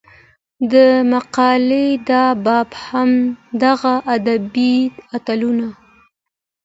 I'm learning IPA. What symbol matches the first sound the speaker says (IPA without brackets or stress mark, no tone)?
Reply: d̪